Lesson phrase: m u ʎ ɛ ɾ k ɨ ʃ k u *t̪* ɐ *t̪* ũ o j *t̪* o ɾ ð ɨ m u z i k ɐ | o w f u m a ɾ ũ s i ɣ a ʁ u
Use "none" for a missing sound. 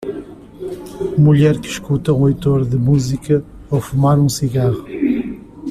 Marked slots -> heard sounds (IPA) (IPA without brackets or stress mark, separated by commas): t̪, none, t̪